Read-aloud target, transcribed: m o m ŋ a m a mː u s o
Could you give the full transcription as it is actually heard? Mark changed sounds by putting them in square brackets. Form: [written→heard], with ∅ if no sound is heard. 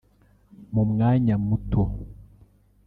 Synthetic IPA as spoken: m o m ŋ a [m→ɲ] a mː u [s→t] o